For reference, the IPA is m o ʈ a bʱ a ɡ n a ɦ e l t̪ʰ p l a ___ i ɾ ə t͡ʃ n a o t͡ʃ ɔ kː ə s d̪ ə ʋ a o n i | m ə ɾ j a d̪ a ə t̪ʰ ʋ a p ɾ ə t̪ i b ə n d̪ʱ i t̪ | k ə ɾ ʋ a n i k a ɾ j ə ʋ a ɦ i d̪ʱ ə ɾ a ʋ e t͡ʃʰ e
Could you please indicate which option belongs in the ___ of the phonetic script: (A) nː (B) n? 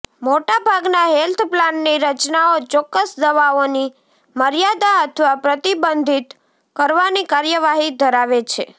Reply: A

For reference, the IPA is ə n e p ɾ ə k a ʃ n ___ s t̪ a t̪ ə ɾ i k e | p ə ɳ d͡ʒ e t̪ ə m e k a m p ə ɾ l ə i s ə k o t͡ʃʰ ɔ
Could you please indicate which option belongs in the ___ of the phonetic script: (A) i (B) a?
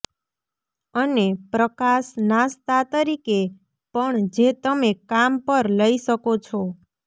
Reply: B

